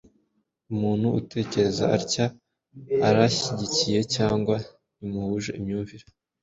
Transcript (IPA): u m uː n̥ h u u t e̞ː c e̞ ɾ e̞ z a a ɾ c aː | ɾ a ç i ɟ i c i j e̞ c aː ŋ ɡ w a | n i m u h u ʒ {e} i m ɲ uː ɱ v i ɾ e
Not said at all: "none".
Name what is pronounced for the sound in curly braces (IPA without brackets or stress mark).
e